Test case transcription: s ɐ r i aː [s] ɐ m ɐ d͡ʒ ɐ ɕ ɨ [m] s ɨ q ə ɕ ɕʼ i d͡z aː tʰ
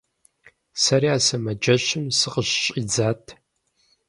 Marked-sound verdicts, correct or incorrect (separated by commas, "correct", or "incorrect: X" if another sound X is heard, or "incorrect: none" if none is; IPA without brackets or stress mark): correct, correct